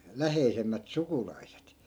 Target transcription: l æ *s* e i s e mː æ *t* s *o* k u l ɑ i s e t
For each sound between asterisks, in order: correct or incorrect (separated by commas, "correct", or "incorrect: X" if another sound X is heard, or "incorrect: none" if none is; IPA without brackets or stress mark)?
incorrect: h, correct, incorrect: u